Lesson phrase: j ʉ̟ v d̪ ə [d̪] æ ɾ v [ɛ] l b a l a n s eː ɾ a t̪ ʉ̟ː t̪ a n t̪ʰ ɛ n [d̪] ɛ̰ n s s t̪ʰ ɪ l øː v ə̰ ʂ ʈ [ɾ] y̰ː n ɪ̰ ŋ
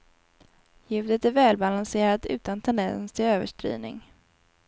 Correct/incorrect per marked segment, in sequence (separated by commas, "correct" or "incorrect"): incorrect, incorrect, correct, correct